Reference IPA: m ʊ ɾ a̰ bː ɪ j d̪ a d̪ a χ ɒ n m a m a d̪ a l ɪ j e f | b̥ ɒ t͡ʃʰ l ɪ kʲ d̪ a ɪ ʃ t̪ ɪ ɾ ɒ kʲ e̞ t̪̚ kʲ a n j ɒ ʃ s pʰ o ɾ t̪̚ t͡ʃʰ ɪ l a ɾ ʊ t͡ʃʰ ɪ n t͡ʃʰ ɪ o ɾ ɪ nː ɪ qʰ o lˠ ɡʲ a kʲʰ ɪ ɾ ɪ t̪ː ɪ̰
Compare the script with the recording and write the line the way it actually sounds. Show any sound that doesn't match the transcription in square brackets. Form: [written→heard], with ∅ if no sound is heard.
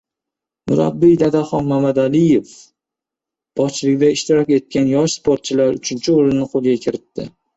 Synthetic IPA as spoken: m ʊ ɾ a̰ bː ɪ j d̪ a d̪ a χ ɒ n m a m a d̪ a l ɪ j e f | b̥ ɒ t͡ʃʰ l ɪ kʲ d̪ a ɪ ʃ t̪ ɪ ɾ ɒ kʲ e̞ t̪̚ kʲ a n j ɒ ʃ s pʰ o ɾ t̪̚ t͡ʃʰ ɪ l a ɾ ʊ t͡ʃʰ ɪ n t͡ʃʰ ɪ o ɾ ɪ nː ɪ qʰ o lˠ ɡʲ a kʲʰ ɪ ɾ ɪ t̪ː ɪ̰